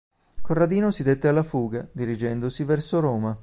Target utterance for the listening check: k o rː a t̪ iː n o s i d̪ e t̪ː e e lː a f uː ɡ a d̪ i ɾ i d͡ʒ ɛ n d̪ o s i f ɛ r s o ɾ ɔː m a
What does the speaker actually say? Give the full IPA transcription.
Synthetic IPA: k o rː a d̪ iː n o s i d̪ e t̪ː e a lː a f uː ɡ a d̪ i ɾ i d͡ʒ ɛ n d̪ o s i v ɛ r s o ɾ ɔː m a